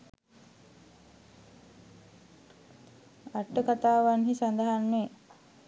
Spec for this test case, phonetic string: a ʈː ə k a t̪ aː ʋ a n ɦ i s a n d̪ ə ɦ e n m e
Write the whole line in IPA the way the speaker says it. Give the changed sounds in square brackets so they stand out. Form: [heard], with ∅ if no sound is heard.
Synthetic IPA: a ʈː ə k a t̪ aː ʋ a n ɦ i s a n d̪ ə ɦ [a] n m e

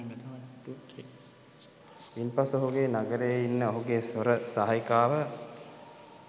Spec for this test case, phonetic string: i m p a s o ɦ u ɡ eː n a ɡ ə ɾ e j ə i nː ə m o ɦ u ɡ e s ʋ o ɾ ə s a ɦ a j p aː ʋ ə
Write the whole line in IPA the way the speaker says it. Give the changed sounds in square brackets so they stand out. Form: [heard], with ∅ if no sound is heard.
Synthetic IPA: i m p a s o ɦ u ɡ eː n a ɡ ə ɾ e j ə i nː ə [∅] o ɦ u ɡ e s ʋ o ɾ ə s a ɦ a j [k] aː ʋ ə

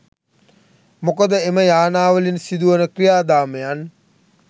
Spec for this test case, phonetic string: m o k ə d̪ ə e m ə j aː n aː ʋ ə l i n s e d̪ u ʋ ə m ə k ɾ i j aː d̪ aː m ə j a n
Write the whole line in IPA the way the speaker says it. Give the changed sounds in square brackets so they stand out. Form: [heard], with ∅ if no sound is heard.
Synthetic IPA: m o k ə d̪ ə e m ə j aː n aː ʋ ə l i n s [i] d̪ u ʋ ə [n] ə k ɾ i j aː d̪ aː m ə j a n

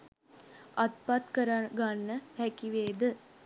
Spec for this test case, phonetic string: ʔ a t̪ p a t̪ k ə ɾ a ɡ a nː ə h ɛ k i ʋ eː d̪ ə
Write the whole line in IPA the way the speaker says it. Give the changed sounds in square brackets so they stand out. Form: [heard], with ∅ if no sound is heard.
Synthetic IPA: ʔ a t̪ p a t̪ k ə ɾ a ɡ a nː ə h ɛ k i ʋ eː d̪ ə

